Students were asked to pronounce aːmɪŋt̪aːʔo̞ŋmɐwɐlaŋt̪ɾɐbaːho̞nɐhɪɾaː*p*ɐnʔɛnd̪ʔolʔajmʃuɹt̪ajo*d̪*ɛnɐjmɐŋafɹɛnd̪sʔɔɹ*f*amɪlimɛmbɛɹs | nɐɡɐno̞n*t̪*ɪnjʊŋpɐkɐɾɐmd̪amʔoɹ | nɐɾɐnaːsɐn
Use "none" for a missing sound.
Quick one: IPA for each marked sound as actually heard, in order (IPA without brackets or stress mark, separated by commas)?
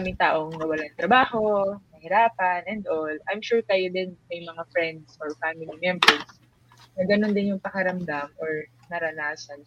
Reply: p, d̪, f, d̪